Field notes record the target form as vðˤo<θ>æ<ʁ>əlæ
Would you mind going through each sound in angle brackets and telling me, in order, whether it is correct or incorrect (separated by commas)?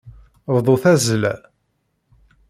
correct, incorrect